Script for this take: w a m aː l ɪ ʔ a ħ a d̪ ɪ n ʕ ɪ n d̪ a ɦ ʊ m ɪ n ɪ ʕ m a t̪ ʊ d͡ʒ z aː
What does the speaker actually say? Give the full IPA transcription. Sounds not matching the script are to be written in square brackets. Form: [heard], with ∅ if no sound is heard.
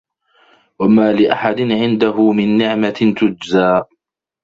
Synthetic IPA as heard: w a m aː l ɪ ʔ a ħ a d̪ ɪ n ʕ ɪ n d̪ a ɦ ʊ m ɪ [nː] ɪ ʕ m a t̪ ʊ d͡ʒ z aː